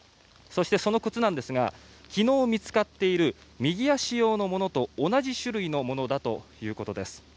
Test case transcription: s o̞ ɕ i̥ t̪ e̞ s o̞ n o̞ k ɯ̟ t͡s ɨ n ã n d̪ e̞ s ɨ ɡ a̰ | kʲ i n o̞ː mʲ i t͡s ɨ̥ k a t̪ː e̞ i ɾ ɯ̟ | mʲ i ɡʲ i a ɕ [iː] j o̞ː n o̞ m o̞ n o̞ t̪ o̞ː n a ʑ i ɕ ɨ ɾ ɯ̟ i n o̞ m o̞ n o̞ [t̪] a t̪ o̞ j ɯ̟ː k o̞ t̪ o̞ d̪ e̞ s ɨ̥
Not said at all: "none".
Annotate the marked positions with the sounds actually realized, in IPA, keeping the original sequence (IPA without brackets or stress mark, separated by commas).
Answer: i, d̪